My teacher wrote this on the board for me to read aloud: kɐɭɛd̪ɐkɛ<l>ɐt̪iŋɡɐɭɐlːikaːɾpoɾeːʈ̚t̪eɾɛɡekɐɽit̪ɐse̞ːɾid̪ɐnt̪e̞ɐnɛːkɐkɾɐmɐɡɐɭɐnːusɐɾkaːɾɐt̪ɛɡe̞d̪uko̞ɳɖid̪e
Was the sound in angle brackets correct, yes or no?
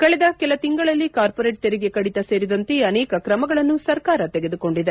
yes